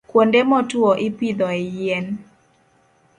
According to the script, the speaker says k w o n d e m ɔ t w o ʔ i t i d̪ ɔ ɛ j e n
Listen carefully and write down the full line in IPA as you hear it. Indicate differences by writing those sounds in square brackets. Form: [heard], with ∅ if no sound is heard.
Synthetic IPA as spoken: k w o n d e m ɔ t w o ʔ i [p] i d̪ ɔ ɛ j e n